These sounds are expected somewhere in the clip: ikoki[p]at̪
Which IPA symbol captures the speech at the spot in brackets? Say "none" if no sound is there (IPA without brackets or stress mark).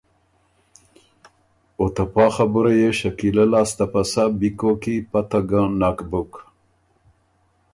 p